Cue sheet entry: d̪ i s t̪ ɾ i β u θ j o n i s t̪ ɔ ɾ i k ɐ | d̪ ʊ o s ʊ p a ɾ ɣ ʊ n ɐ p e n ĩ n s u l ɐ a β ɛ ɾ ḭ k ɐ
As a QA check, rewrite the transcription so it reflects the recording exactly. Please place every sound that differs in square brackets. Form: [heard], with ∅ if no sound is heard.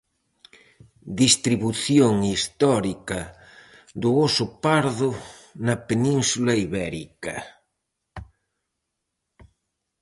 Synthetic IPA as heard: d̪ i s t̪ ɾ i β u θ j o [ŋ] i s t̪ ɔ ɾ i k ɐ | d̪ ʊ o s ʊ p a ɾ [ð] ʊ n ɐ p e n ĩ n s u l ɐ [i] β ɛ ɾ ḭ k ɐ